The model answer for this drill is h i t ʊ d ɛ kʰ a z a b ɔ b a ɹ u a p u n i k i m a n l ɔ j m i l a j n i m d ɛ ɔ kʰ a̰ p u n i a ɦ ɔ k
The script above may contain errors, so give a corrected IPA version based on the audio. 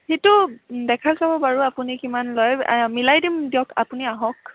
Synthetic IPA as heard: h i t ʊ d ɛ kʰ a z a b ɔ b a ɹ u a p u n i k i m a n l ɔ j m i l a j d i m d i ɔ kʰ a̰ p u n i a ɦ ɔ k